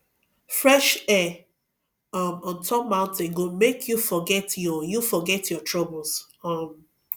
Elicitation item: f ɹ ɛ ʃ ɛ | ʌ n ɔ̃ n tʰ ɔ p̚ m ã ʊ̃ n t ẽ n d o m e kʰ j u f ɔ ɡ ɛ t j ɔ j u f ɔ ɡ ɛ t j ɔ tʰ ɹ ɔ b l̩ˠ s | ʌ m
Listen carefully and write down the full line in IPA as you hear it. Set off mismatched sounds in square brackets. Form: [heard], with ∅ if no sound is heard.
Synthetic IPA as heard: f ɹ ɛ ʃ ɛ | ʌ [m] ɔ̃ n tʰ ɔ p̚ m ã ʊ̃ n t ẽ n [ɡ] o m e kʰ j u f ɔ ɡ ɛ t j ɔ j u f ɔ ɡ ɛ t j ɔ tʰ ɹ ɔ b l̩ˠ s | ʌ m